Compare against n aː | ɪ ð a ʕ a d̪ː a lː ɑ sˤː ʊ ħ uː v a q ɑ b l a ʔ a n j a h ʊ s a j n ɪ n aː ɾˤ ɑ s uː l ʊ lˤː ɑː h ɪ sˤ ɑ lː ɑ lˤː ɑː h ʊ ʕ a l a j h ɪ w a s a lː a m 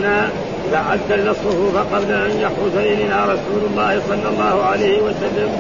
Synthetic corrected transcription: n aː | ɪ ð a ʕ a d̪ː a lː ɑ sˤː ʊ f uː f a q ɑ b l a ʔ a n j a ħ ʊ s a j n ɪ n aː ɾˤ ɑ s uː l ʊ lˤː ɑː h ɪ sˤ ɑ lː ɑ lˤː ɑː h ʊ ʕ a l a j h ɪ w a s a lː a m